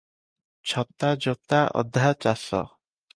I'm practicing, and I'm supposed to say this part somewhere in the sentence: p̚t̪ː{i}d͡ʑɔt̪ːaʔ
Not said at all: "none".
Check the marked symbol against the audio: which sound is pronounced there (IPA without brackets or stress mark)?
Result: a